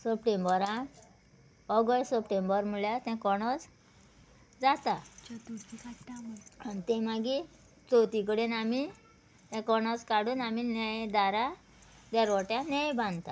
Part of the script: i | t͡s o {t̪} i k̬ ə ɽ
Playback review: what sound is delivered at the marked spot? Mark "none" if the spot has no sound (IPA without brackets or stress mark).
t̪